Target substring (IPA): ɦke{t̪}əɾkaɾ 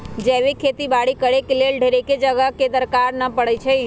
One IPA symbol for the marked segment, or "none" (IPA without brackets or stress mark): d̪